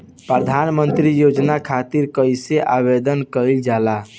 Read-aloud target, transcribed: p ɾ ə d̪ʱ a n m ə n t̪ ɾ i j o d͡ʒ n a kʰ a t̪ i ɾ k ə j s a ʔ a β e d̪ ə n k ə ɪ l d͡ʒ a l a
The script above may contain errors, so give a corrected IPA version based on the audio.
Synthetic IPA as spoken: p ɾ ə d̪ʱ a n m ə n t̪ ɾ i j o d͡ʒ n a kʰ a t̪ i ɾ k ə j s e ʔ a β e d̪ ə n k ə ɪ l d͡ʒ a l a